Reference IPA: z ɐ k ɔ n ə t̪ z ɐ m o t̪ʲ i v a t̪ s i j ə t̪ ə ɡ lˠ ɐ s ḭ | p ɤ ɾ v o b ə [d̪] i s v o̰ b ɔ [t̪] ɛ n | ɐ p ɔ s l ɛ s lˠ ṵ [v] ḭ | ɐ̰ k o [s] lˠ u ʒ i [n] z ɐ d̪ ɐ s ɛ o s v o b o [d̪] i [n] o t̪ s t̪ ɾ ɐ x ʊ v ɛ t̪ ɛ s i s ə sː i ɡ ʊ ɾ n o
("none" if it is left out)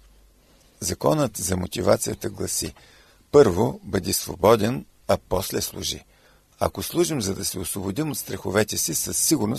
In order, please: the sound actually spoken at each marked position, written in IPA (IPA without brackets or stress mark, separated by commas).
d̪, d̪, ʒ, s, m, d̪, m